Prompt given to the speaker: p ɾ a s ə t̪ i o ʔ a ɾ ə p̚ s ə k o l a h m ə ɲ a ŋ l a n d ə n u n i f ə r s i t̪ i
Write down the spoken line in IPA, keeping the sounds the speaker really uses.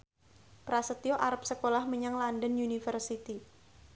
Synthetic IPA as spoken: p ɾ a s ə t̪ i o ʔ a ɾ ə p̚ s ə k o l a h m ə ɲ a ŋ l a n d ə n u n i f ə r s i t̪ i